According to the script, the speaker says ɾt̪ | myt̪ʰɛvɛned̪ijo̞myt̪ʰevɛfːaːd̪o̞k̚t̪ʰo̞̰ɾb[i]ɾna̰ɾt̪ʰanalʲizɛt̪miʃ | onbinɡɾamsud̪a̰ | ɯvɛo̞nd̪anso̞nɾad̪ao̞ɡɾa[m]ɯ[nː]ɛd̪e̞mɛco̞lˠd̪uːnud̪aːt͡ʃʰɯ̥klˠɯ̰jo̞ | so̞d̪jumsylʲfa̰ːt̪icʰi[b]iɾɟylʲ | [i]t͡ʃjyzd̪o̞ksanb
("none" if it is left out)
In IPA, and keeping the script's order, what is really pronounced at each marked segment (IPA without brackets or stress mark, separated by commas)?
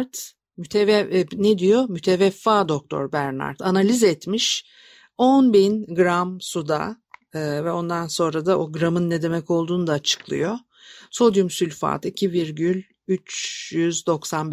æ, m, nː, v, y